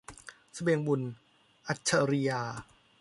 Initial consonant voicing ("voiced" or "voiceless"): voiceless